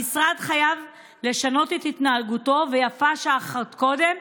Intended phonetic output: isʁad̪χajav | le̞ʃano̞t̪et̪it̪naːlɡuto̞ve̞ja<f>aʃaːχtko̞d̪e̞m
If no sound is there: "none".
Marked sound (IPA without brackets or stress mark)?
f